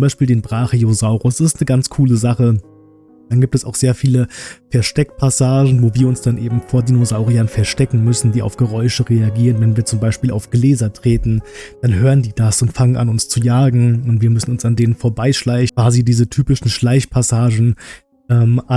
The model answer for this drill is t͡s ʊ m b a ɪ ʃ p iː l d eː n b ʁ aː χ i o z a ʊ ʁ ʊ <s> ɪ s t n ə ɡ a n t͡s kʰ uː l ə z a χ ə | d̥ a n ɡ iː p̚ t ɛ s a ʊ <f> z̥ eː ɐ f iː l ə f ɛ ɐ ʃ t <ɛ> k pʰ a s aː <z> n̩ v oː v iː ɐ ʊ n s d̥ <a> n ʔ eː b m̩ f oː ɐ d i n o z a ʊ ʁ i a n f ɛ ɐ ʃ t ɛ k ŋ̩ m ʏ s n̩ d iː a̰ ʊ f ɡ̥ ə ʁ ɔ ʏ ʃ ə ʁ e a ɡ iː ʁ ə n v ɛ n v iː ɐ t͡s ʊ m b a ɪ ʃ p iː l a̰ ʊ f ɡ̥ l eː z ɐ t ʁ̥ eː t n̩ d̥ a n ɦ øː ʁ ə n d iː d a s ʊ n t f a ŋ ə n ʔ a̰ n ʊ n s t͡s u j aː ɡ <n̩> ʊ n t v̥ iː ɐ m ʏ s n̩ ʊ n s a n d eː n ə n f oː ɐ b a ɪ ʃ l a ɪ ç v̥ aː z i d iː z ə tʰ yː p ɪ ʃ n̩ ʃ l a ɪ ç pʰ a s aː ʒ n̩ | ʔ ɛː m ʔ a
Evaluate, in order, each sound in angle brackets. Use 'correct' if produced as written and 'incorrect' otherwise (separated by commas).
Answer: correct, incorrect, correct, incorrect, correct, incorrect